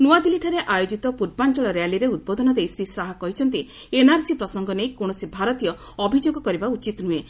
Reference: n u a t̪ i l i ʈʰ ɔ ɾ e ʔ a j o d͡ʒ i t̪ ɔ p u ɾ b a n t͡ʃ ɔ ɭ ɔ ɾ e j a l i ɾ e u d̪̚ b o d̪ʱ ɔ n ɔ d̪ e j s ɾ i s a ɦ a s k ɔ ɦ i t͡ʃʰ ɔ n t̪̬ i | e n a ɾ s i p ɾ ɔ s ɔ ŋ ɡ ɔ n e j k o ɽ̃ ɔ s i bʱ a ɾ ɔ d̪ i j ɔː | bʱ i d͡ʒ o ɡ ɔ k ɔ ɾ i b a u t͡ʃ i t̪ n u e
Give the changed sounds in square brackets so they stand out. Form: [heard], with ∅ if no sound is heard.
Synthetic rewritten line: n u a [d̪] i l i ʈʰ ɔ ɾ e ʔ a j o d͡ʒ i t̪ ɔ p u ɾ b a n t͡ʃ ɔ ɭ ɔ ɾ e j a l i ɾ e u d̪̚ b o d̪ʱ ɔ n ɔ d̪ e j s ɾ i s a ɦ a [∅] k ɔ ɦ i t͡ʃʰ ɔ n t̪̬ i | e n a ɾ s i p ɾ ɔ s ɔ ŋ ɡ ɔ n e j k o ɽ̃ ɔ s i bʱ a ɾ ɔ [t̪] i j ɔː | bʱ i d͡ʒ o ɡ ɔ k ɔ ɾ i b a u t͡ʃ i t̪ n u e

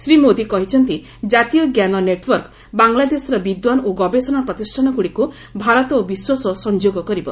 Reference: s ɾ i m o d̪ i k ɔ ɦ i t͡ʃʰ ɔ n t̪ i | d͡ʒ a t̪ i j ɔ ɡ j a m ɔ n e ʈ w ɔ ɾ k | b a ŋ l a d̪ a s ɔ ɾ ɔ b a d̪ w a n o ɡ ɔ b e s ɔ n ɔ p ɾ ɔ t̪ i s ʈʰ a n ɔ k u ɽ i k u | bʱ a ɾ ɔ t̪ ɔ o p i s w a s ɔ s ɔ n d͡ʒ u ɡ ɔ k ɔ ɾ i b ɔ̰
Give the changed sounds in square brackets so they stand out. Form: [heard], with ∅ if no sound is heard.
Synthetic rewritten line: s ɾ i m o d̪ i k ɔ ɦ i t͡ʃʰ ɔ n t̪ i | d͡ʒ a t̪ i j ɔ ɡ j a [n] ɔ n e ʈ w ɔ ɾ k | b a ŋ l a d̪ [e] s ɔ ɾ ɔ b [i] d̪ w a n o ɡ ɔ b e s ɔ n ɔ p ɾ ɔ t̪ i s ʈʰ a n ɔ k u ɽ i k u | bʱ a ɾ ɔ t̪ ɔ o [b] i s w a s ɔ s ɔ n d͡ʒ [o] ɡ ɔ k ɔ ɾ i b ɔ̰

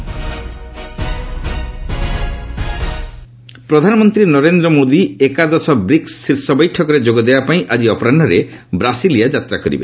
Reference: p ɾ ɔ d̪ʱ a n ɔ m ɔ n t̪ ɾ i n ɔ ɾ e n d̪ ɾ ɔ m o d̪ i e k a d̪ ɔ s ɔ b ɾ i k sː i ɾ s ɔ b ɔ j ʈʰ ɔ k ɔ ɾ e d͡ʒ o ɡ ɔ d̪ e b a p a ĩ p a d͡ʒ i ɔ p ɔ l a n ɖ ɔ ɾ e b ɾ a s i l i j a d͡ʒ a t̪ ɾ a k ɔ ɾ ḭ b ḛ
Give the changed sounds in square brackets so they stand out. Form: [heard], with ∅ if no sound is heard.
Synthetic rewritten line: p ɾ ɔ d̪ʱ a n ɔ m ɔ n t̪ ɾ i n ɔ ɾ e n d̪ ɾ ɔ m o d̪ i e k a d̪ ɔ s ɔ b ɾ i k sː i ɾ s ɔ b ɔ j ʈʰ ɔ k ɔ ɾ e d͡ʒ o ɡ ɔ d̪ e b a p a ĩ [ʔ] a d͡ʒ i ɔ p ɔ [ɾ] a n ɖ ɔ ɾ e b ɾ a s i l i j a d͡ʒ a t̪ ɾ a k ɔ ɾ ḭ b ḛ

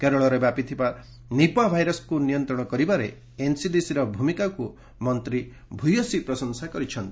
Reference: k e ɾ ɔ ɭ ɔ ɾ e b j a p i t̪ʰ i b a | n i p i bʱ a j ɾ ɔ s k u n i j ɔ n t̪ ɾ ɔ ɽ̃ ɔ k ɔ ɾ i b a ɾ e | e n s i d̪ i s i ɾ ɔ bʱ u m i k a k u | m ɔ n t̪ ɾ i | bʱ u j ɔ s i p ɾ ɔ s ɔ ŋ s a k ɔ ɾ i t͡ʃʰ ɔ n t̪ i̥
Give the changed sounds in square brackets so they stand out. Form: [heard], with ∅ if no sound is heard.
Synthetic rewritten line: k e ɾ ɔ ɭ ɔ ɾ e b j a p i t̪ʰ i b a | n i p [a] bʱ a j ɾ ɔ s k u n i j ɔ n t̪ ɾ ɔ ɽ̃ ɔ k ɔ ɾ i b a ɾ e | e n s i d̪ i s i ɾ ɔ bʱ u m i k a k u | m ɔ n t̪ ɾ i | bʱ u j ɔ s i p ɾ ɔ s ɔ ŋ s a k ɔ ɾ i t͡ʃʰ ɔ n t̪ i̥

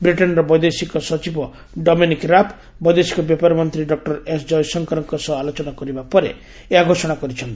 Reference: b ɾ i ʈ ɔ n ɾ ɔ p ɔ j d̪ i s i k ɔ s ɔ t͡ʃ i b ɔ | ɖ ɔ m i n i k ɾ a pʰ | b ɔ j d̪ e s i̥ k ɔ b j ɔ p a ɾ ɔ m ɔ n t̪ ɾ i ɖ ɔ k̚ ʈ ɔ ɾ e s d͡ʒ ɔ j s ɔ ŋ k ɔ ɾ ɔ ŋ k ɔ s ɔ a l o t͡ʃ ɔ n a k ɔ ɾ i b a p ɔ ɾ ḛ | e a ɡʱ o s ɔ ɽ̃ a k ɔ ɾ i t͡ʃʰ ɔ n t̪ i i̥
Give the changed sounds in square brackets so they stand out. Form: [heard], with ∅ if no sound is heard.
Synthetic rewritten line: b ɾ i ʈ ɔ n ɾ ɔ [b] ɔ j d̪ [e] s i k ɔ s ɔ t͡ʃ i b ɔ | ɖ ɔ m i n i k ɾ a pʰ | b ɔ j d̪ e s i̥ k ɔ b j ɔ p a ɾ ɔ m ɔ n t̪ ɾ i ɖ ɔ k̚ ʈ ɔ ɾ e s d͡ʒ ɔ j s ɔ ŋ k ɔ ɾ ɔ ŋ k ɔ s ɔ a l o t͡ʃ ɔ n a k ɔ ɾ i b a p ɔ ɾ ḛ | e a ɡʱ o s ɔ ɽ̃ a k ɔ ɾ i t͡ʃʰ ɔ n t̪ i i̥

